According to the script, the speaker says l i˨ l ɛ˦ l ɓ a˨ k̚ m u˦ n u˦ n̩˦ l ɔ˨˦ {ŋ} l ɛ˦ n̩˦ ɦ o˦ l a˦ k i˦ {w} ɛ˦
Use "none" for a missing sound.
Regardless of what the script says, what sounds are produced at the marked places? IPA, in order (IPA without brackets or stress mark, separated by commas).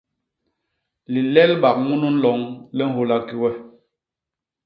ŋ, w